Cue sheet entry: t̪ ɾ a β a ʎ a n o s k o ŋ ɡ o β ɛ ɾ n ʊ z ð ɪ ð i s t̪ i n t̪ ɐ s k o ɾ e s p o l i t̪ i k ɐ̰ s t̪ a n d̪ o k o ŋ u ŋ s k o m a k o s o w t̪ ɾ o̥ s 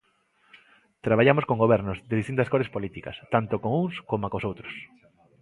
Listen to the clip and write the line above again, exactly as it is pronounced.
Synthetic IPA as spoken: t̪ ɾ a β a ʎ a m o s k o ŋ ɡ o β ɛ ɾ n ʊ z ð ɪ ð i s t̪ i n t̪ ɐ s k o ɾ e s p o l i t̪ i k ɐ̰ s t̪ a n t̪ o k o ŋ u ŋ s k o m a k o s o w t̪ ɾ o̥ s